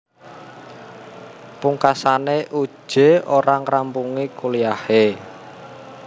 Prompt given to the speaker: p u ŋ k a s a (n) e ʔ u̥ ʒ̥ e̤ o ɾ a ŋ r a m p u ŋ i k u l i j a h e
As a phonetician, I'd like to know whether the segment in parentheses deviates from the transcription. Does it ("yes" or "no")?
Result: no